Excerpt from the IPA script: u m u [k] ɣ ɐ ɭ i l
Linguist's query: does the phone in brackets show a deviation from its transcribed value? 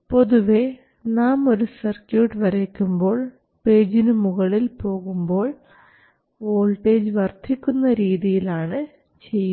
yes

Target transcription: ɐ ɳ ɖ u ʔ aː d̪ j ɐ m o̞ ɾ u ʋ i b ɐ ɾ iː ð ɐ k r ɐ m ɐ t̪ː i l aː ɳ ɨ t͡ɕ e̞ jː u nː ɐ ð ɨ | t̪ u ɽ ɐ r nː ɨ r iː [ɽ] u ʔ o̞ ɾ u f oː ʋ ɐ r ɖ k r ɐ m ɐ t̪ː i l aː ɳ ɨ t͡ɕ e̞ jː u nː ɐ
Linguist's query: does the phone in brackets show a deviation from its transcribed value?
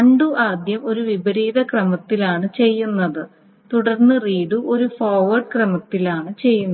no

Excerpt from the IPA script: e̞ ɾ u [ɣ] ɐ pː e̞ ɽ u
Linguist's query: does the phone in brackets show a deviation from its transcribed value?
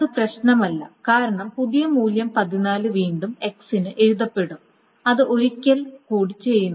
yes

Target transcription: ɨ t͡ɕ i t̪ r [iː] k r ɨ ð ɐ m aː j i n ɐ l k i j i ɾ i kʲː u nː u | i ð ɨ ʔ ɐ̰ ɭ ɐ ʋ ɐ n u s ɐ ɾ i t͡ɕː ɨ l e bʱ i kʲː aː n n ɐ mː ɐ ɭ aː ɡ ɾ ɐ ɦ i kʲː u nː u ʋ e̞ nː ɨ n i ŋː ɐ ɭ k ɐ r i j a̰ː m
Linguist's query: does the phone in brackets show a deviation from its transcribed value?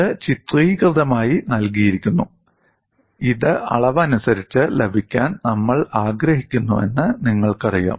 no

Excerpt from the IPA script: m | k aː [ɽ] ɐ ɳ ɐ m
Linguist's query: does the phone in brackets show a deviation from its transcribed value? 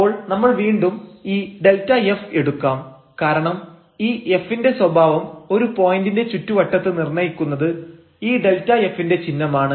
yes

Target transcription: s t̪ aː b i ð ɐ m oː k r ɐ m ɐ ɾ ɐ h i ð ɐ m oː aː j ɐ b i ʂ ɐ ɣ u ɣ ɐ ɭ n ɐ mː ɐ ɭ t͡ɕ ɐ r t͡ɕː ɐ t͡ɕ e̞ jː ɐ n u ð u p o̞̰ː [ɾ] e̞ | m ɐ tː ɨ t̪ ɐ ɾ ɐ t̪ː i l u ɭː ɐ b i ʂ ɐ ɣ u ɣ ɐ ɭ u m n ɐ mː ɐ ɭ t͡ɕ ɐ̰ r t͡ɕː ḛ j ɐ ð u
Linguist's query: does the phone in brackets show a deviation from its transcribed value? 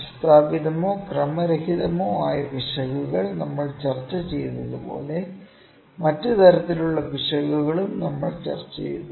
yes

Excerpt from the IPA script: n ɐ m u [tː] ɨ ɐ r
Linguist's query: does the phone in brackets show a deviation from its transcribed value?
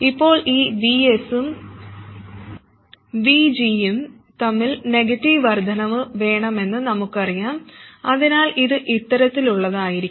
yes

